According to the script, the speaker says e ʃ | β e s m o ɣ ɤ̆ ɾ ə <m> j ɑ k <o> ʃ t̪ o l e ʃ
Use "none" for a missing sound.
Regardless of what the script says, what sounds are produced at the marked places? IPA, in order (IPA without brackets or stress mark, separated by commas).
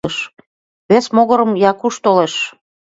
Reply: m, u